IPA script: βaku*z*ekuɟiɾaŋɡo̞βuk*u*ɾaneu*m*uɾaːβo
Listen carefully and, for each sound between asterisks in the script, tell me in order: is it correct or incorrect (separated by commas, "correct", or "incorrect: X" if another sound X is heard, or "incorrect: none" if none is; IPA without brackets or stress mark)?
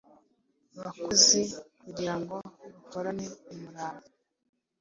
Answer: correct, incorrect: o, correct